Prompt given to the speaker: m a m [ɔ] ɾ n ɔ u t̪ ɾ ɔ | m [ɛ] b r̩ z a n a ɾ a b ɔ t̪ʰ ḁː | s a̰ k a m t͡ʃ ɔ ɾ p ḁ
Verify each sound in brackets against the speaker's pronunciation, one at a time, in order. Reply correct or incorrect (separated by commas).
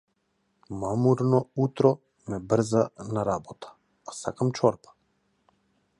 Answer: incorrect, correct